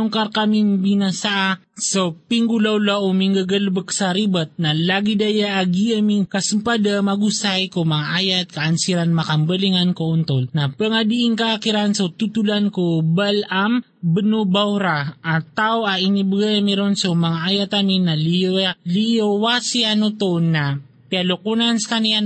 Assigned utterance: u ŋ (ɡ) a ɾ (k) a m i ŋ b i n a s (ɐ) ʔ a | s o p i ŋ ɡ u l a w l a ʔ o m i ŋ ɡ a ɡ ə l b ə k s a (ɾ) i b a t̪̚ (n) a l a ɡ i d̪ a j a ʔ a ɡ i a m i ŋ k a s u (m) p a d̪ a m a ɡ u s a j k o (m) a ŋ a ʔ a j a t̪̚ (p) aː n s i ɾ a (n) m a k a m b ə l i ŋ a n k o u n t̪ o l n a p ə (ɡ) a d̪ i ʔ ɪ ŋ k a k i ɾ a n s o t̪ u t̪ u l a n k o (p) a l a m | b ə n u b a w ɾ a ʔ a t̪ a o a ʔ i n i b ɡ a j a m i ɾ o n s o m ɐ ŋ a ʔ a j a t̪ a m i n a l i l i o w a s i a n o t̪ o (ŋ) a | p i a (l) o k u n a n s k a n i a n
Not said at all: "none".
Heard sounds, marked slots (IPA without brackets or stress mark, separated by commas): k, k, a, ɾ, n, m, m, k, n, ŋ, b, n, l